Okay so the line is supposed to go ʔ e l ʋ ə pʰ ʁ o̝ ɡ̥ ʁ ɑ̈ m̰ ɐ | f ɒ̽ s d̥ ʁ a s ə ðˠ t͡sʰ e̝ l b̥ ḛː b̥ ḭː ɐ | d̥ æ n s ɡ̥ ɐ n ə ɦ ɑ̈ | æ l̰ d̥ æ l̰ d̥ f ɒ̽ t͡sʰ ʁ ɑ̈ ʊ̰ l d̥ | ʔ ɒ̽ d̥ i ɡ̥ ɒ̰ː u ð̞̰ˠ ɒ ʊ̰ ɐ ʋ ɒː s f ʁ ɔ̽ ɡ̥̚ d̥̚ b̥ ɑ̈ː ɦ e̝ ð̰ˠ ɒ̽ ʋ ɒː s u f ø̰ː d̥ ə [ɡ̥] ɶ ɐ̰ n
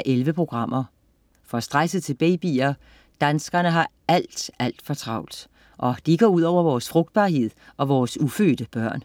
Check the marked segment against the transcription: incorrect: b̥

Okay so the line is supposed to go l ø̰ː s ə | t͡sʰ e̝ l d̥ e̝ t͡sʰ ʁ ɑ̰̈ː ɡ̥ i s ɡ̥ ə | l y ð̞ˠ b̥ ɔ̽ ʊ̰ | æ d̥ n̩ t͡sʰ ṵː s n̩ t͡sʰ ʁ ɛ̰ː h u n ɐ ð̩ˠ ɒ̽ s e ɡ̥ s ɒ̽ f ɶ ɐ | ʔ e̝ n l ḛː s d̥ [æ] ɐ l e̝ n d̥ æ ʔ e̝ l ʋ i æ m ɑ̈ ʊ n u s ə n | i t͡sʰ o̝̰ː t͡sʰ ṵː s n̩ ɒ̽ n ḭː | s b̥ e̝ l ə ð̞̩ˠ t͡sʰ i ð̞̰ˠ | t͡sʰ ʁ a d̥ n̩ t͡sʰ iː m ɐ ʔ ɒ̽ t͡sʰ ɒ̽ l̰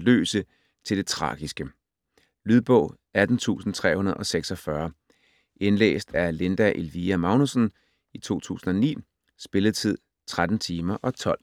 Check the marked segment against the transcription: correct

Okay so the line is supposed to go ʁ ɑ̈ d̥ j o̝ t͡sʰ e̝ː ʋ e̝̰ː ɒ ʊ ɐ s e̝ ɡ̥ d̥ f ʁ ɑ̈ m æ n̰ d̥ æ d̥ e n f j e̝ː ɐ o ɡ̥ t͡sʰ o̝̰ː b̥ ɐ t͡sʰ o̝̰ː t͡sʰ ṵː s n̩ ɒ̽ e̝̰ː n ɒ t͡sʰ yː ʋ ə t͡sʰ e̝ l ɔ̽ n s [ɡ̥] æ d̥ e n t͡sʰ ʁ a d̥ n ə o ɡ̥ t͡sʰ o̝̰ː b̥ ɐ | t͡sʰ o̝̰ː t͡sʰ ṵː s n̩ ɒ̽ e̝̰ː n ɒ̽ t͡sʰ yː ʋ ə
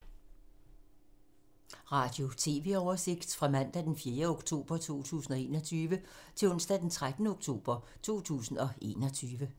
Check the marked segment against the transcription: incorrect: d̥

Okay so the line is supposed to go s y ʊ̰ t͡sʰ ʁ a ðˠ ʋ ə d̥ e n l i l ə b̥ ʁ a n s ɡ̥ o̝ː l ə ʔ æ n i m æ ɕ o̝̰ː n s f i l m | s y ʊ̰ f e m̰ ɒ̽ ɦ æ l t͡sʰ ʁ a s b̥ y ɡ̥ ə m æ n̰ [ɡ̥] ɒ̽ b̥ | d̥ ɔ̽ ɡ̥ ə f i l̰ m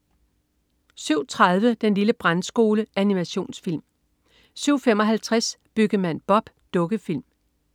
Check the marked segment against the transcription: incorrect: b̥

